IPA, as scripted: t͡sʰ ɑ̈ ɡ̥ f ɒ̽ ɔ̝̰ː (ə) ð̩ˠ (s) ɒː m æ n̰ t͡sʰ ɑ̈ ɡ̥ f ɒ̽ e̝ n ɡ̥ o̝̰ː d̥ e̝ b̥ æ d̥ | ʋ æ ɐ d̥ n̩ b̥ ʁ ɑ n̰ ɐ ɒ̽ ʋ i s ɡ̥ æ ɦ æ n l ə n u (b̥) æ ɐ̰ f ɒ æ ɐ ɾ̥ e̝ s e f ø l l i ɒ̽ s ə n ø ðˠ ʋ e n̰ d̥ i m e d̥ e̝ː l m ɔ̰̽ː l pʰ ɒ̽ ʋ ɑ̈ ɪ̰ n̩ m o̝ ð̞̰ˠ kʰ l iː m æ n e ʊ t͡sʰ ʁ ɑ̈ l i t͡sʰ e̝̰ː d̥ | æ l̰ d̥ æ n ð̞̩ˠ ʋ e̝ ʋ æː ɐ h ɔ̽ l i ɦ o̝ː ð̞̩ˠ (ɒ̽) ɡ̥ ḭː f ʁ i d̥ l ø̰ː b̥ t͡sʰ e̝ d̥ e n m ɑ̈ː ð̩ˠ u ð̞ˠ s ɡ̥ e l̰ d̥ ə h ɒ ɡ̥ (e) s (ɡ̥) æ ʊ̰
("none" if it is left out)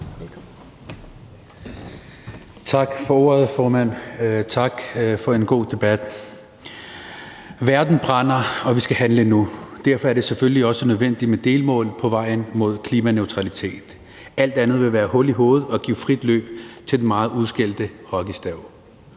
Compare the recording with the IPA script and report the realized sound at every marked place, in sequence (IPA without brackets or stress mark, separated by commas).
ɐ, f, d̥, ɒ̽, i, d̥